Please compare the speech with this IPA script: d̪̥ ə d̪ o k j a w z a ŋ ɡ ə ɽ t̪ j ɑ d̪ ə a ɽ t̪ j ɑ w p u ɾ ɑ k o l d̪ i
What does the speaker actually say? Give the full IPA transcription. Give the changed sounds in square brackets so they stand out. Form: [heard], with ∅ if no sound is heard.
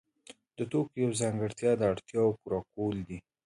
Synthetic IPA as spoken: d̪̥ ə [t̪] o k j a w z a ŋ ɡ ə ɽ t̪ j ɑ d̪ ə a ɽ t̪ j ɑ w [k] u ɾ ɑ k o l d̪ i